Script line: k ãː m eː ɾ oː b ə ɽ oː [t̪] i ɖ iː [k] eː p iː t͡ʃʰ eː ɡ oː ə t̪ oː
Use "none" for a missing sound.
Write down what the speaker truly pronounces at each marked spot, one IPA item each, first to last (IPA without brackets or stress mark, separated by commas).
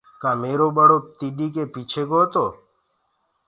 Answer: t̪, k